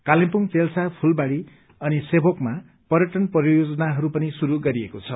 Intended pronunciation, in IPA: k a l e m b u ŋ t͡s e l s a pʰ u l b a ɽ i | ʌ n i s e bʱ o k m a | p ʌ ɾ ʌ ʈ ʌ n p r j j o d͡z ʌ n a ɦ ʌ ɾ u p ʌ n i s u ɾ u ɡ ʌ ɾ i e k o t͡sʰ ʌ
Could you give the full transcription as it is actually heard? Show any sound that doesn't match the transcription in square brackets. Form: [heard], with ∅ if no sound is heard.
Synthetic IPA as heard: k a l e m [p] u ŋ t͡s e l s a pʰ u l b a ɽ i | ʌ n i s e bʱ o k m a | p ʌ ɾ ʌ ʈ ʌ n p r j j o d͡z ʌ n a ɦ ʌ ɾ u p ʌ n i s u ɾ u ɡ ʌ ɾ i e k o t͡sʰ ʌ